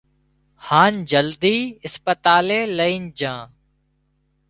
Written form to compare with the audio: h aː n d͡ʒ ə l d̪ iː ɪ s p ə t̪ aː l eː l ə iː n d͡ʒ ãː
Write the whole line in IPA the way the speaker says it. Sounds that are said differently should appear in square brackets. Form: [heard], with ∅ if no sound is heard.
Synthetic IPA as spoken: h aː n d͡ʒ ə l d̪ iː ɪ s p ə t̪ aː l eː l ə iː n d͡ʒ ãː